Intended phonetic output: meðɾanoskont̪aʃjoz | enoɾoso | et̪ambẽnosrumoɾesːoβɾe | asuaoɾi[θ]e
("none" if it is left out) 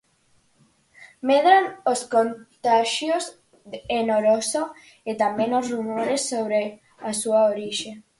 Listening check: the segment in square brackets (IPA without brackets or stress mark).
ʃ